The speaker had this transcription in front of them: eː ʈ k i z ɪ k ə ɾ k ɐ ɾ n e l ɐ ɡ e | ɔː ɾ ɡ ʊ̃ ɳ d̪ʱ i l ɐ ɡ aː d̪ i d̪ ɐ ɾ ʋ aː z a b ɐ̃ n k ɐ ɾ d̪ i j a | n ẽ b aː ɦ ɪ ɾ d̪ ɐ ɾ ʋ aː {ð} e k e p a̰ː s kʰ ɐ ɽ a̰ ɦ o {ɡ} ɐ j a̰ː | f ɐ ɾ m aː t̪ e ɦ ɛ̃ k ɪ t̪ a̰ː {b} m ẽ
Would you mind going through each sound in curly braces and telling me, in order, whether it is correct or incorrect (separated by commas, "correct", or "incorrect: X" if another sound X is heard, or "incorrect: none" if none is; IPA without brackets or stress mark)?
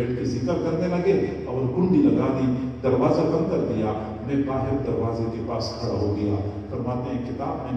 incorrect: z, correct, correct